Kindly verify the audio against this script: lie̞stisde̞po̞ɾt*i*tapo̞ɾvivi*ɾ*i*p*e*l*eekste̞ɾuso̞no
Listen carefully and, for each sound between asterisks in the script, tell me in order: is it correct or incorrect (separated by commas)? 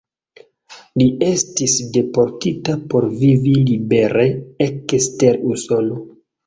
correct, incorrect, incorrect, incorrect